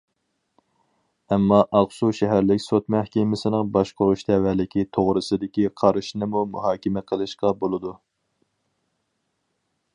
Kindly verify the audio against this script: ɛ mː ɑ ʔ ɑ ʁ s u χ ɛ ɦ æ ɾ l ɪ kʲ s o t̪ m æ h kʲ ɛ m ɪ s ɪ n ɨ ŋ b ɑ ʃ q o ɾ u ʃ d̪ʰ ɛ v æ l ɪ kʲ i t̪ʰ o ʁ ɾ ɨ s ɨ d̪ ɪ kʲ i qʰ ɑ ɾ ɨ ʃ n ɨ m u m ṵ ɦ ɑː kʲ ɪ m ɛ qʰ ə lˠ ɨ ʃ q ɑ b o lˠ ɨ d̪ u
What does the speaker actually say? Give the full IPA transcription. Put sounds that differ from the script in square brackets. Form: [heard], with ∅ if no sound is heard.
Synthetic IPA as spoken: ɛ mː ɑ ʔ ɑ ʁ s u [ʃ] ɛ ɦ æ ɾ l ɪ kʲ s o t̪ m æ h kʲ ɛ m ɪ s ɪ n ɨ ŋ b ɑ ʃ q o ɾ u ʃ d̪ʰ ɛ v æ l ɪ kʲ i t̪ʰ o ʁ ɾ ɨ s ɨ d̪ ɪ kʲ i qʰ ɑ ɾ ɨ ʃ n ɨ m u m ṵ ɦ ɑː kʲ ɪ m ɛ qʰ ə lˠ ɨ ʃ q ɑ b o lˠ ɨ d̪ u